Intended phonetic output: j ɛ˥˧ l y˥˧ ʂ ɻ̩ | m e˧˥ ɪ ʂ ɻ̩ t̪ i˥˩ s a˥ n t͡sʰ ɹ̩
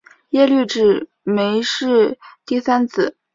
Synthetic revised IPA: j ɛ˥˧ l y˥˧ ʈ͡ʂ ɻ̩ | m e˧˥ ɪ ʂ ɻ̩ t̪ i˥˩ s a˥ n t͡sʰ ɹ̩